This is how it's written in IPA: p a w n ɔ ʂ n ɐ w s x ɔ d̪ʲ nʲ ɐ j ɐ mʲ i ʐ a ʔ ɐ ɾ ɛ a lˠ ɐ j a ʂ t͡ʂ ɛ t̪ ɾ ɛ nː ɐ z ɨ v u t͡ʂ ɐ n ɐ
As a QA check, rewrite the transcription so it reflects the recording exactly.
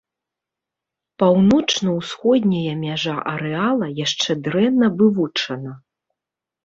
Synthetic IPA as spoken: p a w n ɔ t͡ʂ n ɐ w s x ɔ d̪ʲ nʲ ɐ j ɐ mʲ a ʐ a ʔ ɐ ɾ ɛ a lˠ ɐ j a ʂ t͡ʂ ɛ d̪ ɾ ɛ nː ɐ v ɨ v u t͡ʂ ɐ n ɐ

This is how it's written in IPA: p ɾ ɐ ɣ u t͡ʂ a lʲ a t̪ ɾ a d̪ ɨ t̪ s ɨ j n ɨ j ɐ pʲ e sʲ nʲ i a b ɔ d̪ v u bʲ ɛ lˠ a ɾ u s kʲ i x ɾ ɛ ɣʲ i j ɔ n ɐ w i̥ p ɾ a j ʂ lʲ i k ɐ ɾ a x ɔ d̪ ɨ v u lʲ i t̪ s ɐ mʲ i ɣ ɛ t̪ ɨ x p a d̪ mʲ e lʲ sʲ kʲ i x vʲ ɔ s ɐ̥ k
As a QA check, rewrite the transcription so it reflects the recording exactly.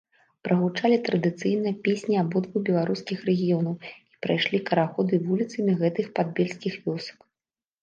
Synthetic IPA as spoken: p ɾ ɐ ɣ u t͡ʂ a lʲ i t̪ ɾ ɐ d̪ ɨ t̪ s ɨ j n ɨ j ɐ pʲ e sʲ nʲ i a b ɔ d̪ v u bʲ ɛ lˠ a ɾ u s kʲ i x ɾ ɛ ɣʲ i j ɔ n ɐ w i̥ p ɾ a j ʂ lʲ i k ɐ ɾ a x ɔ d̪ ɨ v u lʲ i t̪ s ɐ mʲ i ɣ ɛ t̪ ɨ x p a d̪ bʲ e lʲ sʲ kʲ i x vʲ ɔ s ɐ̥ k

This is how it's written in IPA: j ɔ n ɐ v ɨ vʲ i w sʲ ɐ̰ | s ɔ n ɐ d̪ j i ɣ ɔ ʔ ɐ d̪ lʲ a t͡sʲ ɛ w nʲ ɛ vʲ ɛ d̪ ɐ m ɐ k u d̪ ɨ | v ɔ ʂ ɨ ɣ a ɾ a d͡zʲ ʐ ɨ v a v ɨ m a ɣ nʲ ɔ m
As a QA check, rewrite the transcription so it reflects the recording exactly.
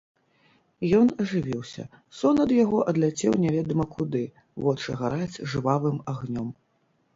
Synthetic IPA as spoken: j ɔ n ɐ ʐ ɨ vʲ i w sʲ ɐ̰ | s ɔ n ɐ d̪ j a ɣ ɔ ʔ ɐ d̪ lʲ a t͡sʲ ɛ w nʲ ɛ vʲ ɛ d̪ ɐ m ɐ k u d̪ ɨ | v ɔ t͡ʂ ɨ ɣ a ɾ a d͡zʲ ʐ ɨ v a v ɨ m a ɣ nʲ ɔ m

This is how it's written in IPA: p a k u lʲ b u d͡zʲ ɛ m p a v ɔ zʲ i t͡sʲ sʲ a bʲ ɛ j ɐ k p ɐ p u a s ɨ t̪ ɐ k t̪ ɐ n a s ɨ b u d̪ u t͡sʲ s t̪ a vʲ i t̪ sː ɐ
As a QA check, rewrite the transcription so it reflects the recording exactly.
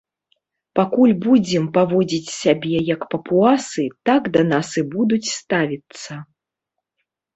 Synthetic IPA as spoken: p a k u lʲ b u d͡zʲ ɛ m p a v ɔ d͡zʲ i t͡sʲ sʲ a bʲ ɛ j ɐ k p ɐ p u a s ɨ t̪ a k d̪ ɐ n a s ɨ b u d̪ u t͡sʲ s t̪ a vʲ i t̪ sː ɐ

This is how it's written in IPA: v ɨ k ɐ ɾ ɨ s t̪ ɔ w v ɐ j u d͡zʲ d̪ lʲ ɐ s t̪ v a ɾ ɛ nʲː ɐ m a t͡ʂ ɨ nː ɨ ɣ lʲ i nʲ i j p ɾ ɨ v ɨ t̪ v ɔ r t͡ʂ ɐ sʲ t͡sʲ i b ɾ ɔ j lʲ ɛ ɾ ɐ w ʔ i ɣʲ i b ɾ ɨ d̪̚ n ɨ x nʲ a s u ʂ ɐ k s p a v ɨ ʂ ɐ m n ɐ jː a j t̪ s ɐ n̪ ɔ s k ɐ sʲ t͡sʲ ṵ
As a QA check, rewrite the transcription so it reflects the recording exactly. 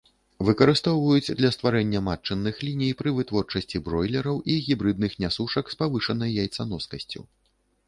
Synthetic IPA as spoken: v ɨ k ɐ ɾ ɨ s t̪ ɔ w v ɐ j u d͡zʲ d̪ lʲ ɐ s t̪ v a ɾ ɛ nʲː ɐ m a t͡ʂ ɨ nː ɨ x lʲ i nʲ i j p ɾ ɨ v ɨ t̪ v ɔ r t͡ʂ ɐ sʲ t͡sʲ i b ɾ ɔ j lʲ ɛ ɾ ɐ w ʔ i ɣʲ i b ɾ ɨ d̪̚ n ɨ x nʲ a s u ʂ ɐ k s p a v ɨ ʂ ɐ n ɐ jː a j t̪ s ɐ n̪ ɔ s k ɐ sʲ t͡sʲ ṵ

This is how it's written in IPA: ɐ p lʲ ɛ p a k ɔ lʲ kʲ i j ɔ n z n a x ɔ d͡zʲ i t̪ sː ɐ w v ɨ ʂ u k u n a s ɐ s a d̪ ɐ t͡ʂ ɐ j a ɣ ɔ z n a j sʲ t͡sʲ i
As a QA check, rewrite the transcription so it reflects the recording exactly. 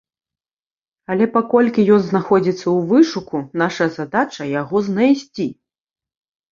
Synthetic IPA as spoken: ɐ lʲ ɛ p a k ɔ lʲ kʲ i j ɔ n z n a x ɔ d͡zʲ i t̪ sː ɐ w v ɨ ʂ u k u n a ʂ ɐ z a d̪ a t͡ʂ ɐ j a ɣ ɔ z n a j sʲ t͡sʲ i

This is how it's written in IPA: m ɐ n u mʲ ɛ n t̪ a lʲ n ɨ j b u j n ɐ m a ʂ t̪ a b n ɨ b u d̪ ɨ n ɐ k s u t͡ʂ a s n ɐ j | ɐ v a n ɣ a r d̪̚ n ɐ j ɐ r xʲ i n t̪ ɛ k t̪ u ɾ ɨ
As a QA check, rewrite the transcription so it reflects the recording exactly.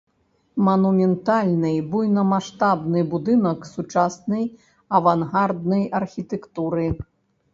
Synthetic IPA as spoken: m ɐ n u mʲ ɛ n t̪ a lʲ n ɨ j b u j n ɐ m a ʂ t̪ a b n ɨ b u d̪ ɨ n ɐ k s u t͡ʂ a s n ɐ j | ɐ v a n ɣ a r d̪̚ n ɐ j ɐ r xʲ i t̪ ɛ k t̪ u ɾ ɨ

